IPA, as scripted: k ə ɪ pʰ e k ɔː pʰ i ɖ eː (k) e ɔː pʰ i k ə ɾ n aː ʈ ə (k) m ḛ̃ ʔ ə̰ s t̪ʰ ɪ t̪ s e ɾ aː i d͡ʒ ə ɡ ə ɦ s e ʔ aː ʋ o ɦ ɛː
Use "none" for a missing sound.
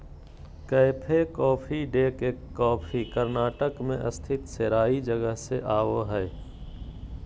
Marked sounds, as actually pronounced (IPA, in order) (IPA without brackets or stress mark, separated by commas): k, k